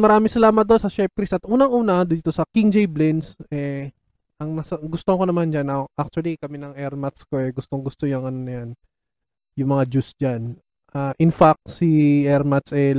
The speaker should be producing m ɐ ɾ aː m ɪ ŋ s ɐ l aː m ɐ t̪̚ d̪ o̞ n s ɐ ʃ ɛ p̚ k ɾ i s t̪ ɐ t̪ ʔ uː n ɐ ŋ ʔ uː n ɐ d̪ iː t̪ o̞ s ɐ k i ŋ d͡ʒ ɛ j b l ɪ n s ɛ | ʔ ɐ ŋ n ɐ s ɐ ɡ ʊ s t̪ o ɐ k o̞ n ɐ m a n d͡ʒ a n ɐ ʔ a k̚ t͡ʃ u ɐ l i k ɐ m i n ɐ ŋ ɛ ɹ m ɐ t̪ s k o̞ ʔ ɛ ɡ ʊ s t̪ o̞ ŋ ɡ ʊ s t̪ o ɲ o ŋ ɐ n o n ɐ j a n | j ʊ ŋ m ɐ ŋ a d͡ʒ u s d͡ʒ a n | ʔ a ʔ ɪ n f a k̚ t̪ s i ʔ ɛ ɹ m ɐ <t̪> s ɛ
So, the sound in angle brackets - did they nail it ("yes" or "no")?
yes